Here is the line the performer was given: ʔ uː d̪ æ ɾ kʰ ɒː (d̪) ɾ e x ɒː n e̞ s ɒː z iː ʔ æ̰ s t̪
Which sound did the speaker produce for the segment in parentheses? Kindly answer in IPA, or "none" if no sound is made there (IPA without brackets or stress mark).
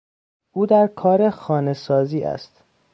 none